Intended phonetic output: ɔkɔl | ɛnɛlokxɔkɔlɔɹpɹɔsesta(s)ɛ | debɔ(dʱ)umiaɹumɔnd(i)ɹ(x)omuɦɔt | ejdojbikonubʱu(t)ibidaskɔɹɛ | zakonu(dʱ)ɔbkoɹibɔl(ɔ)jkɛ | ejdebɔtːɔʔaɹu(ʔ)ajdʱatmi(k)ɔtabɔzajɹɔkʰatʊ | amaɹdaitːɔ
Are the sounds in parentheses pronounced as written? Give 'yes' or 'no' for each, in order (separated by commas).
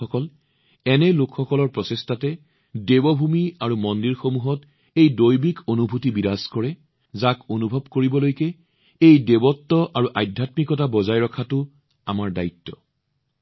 no, no, yes, yes, yes, no, no, yes, yes